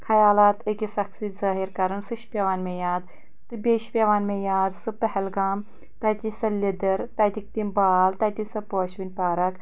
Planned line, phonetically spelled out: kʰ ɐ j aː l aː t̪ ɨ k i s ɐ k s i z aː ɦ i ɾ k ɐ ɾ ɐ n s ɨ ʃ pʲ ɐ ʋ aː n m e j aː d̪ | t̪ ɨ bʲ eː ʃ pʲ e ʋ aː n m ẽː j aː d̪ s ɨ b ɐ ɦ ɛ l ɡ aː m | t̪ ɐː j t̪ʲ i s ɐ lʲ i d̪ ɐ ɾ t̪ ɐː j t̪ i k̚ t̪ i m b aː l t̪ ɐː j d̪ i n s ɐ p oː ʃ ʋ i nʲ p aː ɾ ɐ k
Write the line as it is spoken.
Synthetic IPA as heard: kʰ ɐ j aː l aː t̪ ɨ k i s ɐ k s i z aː ɦ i ɾ k ɐ ɾ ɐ n s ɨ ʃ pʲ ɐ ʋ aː n m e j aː d̪ | t̪ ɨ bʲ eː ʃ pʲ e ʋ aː n m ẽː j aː d̪ s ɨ p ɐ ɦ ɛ l ɡ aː m | t̪ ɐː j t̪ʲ i s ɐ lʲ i d̪ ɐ ɾ t̪ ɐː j t̪ i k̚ t̪ i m b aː l t̪ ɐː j t̪ i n s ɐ p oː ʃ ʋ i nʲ p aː ɾ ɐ k

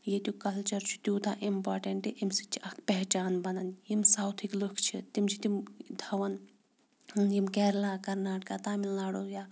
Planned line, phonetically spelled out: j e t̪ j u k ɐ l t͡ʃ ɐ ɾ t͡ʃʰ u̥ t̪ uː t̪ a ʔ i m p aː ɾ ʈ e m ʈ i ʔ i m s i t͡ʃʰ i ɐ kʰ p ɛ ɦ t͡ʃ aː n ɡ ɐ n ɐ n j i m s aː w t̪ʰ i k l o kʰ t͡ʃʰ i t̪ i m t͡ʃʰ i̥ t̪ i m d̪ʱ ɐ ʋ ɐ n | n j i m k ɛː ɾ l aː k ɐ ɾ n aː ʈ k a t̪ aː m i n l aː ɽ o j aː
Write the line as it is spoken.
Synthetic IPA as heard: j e t̪ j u k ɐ l t͡ʃ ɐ ɾ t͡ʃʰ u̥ t̪ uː t̪ a ʔ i m p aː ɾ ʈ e ɳ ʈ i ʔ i m s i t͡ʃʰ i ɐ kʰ p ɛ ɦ t͡ʃ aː n b ɐ n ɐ n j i m s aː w t̪ʰ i k l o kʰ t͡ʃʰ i t̪ i m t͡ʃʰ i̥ t̪ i m d̪ʱ ɐ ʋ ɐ n | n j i m k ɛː ɾ l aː k ɐ ɾ n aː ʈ k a t̪ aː m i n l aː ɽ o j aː

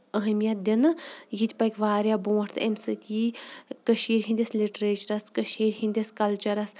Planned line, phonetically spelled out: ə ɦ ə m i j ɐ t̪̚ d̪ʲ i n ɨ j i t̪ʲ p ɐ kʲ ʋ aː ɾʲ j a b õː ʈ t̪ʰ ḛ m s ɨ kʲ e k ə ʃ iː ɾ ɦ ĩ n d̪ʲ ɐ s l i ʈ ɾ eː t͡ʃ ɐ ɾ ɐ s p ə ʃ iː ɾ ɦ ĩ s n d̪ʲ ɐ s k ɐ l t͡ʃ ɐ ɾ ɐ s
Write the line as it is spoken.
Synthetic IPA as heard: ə ɦ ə m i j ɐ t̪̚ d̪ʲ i n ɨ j i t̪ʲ p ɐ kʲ ʋ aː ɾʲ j a b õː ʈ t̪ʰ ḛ m s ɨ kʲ i k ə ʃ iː ɾ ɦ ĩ n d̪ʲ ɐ s l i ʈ ɾ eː t͡ʃ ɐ ɾ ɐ s k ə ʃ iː ɾ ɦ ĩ n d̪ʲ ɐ s k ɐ l t͡ʃ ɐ ɾ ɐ s

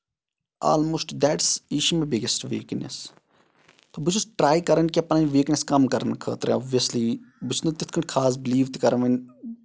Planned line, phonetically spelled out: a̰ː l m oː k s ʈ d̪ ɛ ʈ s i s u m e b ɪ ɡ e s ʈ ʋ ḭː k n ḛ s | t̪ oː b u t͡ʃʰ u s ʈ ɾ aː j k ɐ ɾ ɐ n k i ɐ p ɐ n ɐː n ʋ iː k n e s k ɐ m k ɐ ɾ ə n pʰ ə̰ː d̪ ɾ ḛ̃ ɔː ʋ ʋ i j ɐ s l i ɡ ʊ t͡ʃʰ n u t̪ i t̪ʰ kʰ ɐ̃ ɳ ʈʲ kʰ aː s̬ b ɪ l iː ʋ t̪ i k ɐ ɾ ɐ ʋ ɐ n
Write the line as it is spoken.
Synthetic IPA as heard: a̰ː l m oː s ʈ d̪ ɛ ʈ s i ʃ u m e b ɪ ɡ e s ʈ ʋ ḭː k n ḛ s | t̪ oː b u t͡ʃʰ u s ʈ ɾ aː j k ɐ ɾ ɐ n k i ɐ p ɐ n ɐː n ʋ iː k n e s k ɐ m k ɐ ɾ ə n kʰ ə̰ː t̪ ɾ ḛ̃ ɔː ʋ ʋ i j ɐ s l i b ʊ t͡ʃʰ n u t̪ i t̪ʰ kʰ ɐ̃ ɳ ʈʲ kʰ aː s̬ b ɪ l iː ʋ t̪ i k ɐ ɾ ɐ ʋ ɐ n

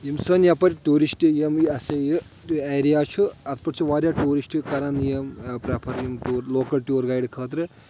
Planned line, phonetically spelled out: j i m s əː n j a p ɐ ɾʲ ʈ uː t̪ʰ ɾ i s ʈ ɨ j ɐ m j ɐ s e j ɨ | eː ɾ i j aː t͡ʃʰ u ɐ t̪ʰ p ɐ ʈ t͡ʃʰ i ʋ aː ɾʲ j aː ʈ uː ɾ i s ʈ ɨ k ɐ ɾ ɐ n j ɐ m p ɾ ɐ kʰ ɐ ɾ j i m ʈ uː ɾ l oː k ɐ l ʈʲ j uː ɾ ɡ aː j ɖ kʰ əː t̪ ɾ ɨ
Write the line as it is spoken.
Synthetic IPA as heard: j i m s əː n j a p ɐ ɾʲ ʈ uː ɾ i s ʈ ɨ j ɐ m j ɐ s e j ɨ | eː ɾ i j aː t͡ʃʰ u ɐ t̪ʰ p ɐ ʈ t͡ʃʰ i ʋ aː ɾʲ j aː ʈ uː ɾ i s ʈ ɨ k ɐ ɾ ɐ n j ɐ m p ɾ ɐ pʰ ɐ ɾ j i m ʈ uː ɾ l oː k ɐ l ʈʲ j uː ɾ ɡ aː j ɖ kʰ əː t̪ ɾ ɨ

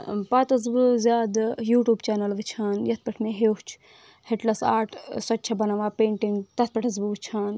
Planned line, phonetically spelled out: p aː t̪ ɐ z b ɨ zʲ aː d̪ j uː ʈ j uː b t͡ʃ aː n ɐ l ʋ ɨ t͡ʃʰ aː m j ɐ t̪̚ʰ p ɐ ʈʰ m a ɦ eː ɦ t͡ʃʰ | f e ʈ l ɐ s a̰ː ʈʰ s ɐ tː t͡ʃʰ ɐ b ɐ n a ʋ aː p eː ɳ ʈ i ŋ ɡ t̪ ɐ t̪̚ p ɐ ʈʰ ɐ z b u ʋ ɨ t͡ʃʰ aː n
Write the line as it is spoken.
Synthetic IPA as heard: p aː t̪ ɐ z b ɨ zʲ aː d̪ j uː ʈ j uː b t͡ʃ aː n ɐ l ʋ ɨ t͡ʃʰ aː n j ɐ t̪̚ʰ p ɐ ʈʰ m e ɦ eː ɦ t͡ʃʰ | h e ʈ l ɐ s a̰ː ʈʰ s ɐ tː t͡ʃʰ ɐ b ɐ n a ʋ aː p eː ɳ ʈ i ŋ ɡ t̪ ɐ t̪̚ p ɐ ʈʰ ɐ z b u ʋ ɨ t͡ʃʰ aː n

